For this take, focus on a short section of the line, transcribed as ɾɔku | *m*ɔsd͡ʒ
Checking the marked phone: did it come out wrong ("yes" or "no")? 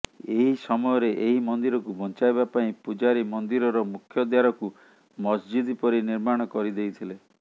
no